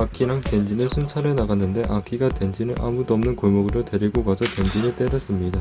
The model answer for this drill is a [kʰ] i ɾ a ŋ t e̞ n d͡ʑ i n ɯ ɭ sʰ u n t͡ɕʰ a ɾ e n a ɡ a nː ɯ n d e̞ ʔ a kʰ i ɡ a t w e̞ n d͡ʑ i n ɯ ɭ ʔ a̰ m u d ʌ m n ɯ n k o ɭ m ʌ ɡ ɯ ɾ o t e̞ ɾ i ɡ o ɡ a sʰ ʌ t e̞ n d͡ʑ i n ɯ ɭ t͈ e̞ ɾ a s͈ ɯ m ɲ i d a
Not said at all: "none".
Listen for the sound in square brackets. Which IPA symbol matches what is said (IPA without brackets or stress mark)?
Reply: kʰ